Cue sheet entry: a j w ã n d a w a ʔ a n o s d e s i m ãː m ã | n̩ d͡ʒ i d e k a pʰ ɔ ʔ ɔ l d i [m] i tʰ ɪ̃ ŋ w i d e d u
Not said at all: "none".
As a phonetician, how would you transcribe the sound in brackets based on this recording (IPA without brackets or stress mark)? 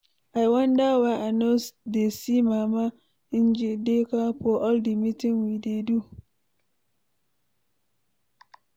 m